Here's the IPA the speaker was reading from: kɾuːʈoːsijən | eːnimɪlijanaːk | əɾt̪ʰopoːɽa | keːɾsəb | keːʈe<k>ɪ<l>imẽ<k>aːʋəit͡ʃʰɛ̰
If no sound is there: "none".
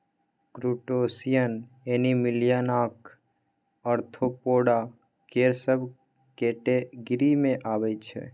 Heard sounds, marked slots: ɡ, ɾ, ʔ

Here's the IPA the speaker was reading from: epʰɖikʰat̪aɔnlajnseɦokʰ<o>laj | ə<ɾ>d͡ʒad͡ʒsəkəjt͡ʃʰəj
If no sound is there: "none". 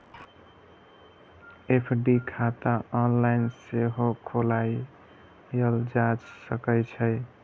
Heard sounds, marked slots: o, l

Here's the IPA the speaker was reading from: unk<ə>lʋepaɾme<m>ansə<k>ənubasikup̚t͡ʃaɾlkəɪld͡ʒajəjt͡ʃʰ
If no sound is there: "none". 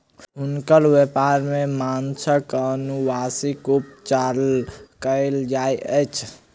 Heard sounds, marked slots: ə, m, k

